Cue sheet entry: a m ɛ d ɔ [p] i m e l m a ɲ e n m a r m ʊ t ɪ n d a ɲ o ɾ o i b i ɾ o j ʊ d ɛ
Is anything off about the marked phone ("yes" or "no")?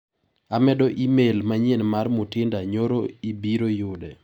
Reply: yes